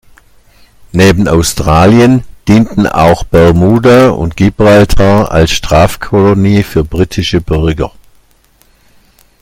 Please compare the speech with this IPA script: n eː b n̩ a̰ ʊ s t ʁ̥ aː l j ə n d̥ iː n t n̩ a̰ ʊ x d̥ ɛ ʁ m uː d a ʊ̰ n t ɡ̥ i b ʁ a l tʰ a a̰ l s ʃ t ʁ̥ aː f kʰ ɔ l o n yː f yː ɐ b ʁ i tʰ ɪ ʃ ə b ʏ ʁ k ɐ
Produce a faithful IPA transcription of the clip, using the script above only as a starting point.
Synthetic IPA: n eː b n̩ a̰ ʊ s t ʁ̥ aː l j ə n d̥ iː n t n̩ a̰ ʊ x b̥ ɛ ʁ m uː d a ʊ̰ n t ɡ̥ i b ʁ a l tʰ a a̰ l s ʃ t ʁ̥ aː f kʰ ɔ l o n iː f yː ɐ b ʁ i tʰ ɪ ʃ ə b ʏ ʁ ɡ ɐ